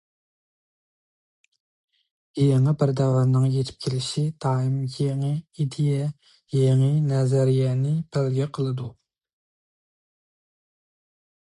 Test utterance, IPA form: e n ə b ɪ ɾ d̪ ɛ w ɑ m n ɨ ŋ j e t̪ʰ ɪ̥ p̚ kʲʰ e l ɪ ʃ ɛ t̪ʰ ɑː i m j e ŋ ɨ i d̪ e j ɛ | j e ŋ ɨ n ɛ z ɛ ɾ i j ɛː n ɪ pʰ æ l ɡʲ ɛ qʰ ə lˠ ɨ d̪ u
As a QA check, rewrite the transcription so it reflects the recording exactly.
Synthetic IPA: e ŋ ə b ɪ ɾ d̪ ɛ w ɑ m n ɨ ŋ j e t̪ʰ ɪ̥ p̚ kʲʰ e l ɪ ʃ i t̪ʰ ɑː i m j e ŋ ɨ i d̪ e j ɛ | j e ŋ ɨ n ɛ z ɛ ɾ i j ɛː n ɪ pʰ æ l ɡʲ ɛ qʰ ə lˠ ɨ d̪ u